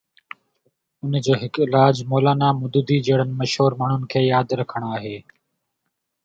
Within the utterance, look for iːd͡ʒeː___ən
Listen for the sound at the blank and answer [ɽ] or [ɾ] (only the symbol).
ɽ